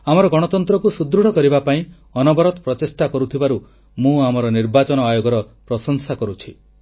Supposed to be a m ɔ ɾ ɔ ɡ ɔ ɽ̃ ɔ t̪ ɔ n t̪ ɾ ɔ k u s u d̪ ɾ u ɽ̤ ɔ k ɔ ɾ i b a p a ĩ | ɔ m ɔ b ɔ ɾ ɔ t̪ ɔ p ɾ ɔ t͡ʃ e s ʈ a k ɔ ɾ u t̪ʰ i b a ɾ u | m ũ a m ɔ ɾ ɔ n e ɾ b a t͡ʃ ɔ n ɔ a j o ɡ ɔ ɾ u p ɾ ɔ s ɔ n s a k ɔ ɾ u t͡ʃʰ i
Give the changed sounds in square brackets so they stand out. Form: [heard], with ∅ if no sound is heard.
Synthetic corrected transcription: a m ɔ ɾ ɔ ɡ ɔ ɽ̃ ɔ t̪ ɔ n t̪ ɾ ɔ k u s u d̪ ɾ u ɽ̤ ɔ k ɔ ɾ i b a p a ĩ | ɔ [n] ɔ b ɔ ɾ ɔ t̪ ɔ p ɾ ɔ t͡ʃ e s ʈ a k ɔ ɾ u t̪ʰ i b a ɾ u | m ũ a m ɔ ɾ ɔ n [i] ɾ b a t͡ʃ ɔ n ɔ a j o ɡ ɔ ɾ [ɔ] p ɾ ɔ s ɔ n s a k ɔ ɾ u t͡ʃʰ i

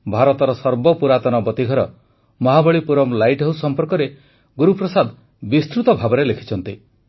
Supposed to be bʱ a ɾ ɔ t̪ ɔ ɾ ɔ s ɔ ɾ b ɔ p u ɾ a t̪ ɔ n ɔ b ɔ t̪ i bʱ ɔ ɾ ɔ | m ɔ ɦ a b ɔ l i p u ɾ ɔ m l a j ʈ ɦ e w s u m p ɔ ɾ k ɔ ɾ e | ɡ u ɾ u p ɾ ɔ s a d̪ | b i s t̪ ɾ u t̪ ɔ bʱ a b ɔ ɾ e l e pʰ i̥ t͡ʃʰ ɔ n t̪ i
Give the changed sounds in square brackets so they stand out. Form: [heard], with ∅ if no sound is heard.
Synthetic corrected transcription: bʱ a ɾ ɔ t̪ ɔ ɾ ɔ s ɔ ɾ b ɔ p u ɾ a t̪ ɔ n ɔ b ɔ t̪ i [ɡʱ] ɔ ɾ ɔ | m ɔ ɦ a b ɔ [ɭ] i p u ɾ ɔ m l a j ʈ ɦ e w s [ɔ] m p ɔ ɾ k ɔ ɾ e | ɡ u ɾ u p ɾ ɔ s a d̪ | b i s t̪ ɾ u t̪ ɔ bʱ a b ɔ ɾ e l e [kʰ] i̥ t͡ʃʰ ɔ n t̪ i

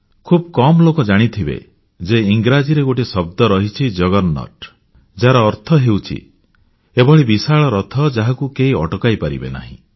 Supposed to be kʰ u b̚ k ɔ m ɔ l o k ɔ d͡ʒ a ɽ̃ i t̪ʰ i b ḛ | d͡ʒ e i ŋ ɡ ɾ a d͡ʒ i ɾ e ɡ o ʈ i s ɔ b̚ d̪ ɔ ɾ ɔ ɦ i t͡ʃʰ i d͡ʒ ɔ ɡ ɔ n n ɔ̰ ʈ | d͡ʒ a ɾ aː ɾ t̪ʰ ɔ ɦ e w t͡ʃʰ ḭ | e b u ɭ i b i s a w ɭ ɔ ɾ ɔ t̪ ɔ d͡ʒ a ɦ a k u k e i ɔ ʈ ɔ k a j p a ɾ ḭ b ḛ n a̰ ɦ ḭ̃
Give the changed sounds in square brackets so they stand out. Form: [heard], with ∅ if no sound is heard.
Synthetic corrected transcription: kʰ u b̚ k ɔ m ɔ l o k ɔ d͡ʒ a ɽ̃ i t̪ʰ i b ḛ | d͡ʒ e i ŋ ɡ ɾ a d͡ʒ i ɾ e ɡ o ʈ i s ɔ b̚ d̪ ɔ ɾ ɔ ɦ i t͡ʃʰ i d͡ʒ ɔ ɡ ɔ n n ɔ̰ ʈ | d͡ʒ a ɾ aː ɾ t̪ʰ ɔ ɦ e w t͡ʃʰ ḭ | e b [ɔ] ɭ i b i s a [∅] ɭ ɔ ɾ ɔ [t̪ʰ] ɔ d͡ʒ a ɦ a k u k e i ɔ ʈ ɔ k a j p a ɾ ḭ b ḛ n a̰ ɦ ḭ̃

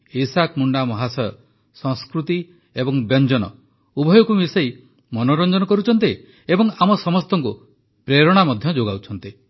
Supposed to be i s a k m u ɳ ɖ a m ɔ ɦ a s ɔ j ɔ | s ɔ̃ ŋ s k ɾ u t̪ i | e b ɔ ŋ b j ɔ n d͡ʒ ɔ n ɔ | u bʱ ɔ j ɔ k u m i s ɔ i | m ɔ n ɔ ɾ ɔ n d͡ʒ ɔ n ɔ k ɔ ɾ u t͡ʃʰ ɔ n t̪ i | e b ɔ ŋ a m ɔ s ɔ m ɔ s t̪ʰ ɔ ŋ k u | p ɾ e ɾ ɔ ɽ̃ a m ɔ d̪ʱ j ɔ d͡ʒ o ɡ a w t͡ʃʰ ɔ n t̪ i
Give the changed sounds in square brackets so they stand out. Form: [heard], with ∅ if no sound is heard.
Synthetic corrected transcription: i s a k m u ɳ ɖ a m ɔ ɦ a s ɔ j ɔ | s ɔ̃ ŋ s k ɾ u t̪ i | e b ɔ ŋ b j ɔ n d͡ʒ ɔ n ɔ | u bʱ ɔ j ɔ k u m i s ɔ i | m ɔ n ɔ ɾ ɔ n d͡ʒ ɔ n ɔ k ɔ ɾ u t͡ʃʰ ɔ n t̪ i | e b ɔ ŋ a m ɔ s ɔ m ɔ s [t̪] ɔ ŋ k u | p ɾ e ɾ ɔ ɽ̃ a m ɔ d̪ʱ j ɔ d͡ʒ o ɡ a w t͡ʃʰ ɔ n t̪ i

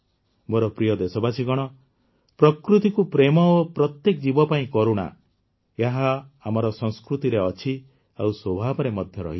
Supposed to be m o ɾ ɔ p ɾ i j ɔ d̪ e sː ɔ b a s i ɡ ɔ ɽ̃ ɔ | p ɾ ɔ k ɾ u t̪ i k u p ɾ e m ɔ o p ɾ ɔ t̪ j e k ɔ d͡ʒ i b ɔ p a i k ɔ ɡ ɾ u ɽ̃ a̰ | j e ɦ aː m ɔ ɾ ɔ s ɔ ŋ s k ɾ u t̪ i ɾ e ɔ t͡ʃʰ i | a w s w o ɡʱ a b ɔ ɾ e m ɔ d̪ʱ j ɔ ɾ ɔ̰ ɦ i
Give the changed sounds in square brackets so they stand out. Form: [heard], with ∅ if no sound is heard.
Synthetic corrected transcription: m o ɾ ɔ p ɾ i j ɔ d̪ e [s] ɔ b a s i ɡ ɔ ɽ̃ ɔ | p ɾ ɔ k ɾ u t̪ i k u p ɾ e m ɔ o p ɾ ɔ t̪ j e k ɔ d͡ʒ i b ɔ p a [ĩ] k ɔ [∅] ɾ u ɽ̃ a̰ | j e ɦ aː m ɔ ɾ ɔ s ɔ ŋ s k ɾ u t̪ i ɾ e ɔ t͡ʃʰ i | a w s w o [bʱ] a b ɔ ɾ e m ɔ d̪ʱ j ɔ ɾ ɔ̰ ɦ i

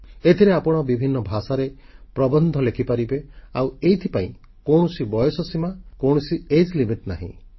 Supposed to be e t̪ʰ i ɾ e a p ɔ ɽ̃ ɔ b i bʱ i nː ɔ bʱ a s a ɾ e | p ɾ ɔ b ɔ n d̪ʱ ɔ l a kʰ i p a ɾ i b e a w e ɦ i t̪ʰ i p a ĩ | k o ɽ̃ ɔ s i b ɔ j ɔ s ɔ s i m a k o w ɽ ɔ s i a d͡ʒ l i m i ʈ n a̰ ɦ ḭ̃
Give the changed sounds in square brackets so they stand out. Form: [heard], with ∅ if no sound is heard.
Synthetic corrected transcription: e t̪ʰ i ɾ e a p ɔ ɽ̃ ɔ b i bʱ i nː ɔ bʱ a s a ɾ e | p ɾ ɔ b ɔ n d̪ʱ ɔ l [e] kʰ i p a ɾ i b e a w e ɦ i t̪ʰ i p a ĩ | k o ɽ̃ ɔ s i b ɔ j ɔ s ɔ s i m a k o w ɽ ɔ s i [e] d͡ʒ l i m i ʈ n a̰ ɦ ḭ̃

